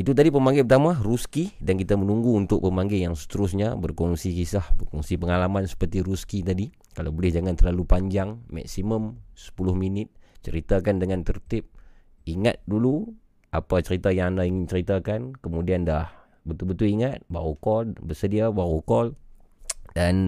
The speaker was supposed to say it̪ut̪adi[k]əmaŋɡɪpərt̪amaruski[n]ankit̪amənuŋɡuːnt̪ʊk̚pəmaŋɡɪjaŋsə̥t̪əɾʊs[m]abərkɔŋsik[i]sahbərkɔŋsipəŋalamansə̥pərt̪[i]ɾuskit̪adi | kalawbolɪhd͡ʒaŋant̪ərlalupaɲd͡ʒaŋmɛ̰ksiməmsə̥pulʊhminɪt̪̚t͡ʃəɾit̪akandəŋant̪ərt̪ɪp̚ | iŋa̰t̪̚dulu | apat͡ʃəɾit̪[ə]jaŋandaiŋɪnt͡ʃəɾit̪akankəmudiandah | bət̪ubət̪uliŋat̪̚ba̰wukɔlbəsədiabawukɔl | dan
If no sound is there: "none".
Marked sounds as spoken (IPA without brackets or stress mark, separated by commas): p, d, ɲ, i, i, a